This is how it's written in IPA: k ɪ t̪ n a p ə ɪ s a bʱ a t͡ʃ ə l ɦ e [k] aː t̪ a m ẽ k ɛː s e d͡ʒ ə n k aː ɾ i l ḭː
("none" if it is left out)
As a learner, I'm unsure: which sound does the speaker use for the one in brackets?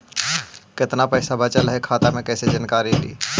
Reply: kʰ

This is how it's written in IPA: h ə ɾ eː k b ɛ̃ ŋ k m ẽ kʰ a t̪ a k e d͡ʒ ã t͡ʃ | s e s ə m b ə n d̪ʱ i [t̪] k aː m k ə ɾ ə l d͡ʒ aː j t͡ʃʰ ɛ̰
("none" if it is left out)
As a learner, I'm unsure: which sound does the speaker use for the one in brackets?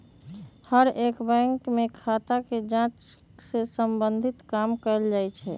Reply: t̪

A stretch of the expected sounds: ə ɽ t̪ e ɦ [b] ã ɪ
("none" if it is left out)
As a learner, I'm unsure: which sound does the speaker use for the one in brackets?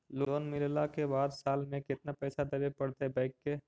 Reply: b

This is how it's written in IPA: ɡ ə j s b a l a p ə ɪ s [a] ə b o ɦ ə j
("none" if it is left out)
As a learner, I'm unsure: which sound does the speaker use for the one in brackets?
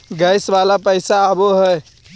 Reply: a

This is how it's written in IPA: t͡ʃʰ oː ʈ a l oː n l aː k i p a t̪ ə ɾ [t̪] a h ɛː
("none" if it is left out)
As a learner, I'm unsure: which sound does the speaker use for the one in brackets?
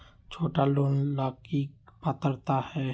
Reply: t̪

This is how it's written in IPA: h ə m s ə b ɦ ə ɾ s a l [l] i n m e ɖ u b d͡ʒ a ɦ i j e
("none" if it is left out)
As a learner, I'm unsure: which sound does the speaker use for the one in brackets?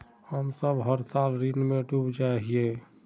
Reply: ɾ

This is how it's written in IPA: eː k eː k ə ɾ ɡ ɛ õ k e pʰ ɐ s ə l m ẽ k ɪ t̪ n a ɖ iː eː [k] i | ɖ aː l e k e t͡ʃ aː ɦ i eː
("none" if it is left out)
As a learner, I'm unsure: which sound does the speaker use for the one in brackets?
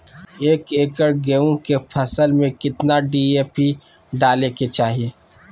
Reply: p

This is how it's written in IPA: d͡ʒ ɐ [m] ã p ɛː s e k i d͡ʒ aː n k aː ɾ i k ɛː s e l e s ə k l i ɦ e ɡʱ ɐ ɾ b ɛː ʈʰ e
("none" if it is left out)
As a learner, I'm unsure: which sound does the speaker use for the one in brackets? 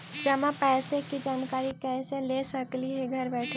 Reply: m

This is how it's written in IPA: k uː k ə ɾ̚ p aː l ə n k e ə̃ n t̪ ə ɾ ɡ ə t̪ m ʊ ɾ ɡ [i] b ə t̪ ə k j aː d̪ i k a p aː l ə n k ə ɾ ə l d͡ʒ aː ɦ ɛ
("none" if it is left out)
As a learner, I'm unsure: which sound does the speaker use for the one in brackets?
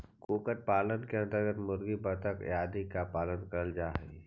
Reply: i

